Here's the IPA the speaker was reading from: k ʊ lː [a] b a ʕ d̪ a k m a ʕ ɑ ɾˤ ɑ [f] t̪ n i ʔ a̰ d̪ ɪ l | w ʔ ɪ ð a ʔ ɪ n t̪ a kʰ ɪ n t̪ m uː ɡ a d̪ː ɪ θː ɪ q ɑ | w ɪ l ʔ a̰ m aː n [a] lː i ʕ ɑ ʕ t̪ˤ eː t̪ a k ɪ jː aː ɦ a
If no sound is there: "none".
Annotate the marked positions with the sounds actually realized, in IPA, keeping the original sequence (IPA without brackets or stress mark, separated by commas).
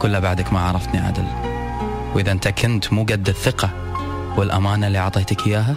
a, f, a